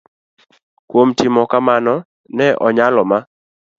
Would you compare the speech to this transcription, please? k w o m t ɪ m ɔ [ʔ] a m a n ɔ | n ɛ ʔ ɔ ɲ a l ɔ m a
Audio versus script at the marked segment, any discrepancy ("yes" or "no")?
yes